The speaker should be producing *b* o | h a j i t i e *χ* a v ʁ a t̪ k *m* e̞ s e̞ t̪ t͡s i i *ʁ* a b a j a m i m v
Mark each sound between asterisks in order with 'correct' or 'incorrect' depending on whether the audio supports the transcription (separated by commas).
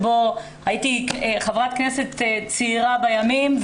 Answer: correct, correct, incorrect, correct